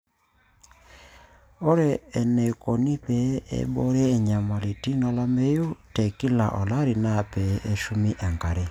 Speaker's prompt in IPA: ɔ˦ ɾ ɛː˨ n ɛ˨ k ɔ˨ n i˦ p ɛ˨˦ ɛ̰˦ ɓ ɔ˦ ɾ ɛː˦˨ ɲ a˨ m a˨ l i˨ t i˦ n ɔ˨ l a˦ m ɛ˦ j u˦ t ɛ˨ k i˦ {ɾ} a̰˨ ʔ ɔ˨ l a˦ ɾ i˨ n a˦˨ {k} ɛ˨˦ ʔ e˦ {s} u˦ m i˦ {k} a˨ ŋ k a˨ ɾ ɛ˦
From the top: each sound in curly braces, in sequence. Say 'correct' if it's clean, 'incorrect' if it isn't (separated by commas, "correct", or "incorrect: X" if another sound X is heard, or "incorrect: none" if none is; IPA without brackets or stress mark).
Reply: incorrect: l, incorrect: p, incorrect: ʃ, incorrect: ʔ